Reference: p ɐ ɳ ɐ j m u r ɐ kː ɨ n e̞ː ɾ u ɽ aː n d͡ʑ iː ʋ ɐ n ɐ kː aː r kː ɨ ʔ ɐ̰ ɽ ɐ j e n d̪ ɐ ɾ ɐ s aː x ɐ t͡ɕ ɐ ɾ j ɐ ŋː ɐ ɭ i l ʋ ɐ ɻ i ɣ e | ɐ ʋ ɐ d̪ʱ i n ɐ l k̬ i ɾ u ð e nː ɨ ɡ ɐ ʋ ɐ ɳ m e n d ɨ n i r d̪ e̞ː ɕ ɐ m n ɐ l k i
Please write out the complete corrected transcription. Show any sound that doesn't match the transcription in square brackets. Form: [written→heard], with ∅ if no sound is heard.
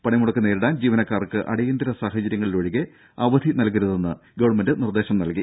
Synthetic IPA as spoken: p ɐ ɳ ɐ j m u [r→ɽ] ɐ kː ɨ n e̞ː ɾ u ɽ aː n d͡ʑ iː ʋ ɐ n ɐ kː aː r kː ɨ ʔ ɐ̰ ɽ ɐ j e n d̪ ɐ ɾ ɐ s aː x ɐ t͡ɕ ɐ ɾ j ɐ ŋː ɐ ɭ i l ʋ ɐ ɻ i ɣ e | ɐ ʋ ɐ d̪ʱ i n ɐ l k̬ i ɾ u ð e nː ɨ ɡ ɐ ʋ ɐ ɳ m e n d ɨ n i r d̪ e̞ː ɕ ɐ m n ɐ l k i